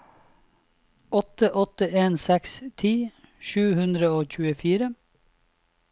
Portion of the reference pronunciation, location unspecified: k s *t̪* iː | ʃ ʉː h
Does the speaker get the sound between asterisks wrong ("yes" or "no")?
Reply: yes